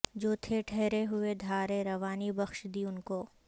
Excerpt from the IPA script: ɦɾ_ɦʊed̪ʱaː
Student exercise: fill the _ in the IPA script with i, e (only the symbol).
e